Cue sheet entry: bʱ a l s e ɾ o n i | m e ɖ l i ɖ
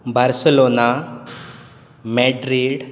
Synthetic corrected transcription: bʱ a ɾ s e l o n a | m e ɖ ɾ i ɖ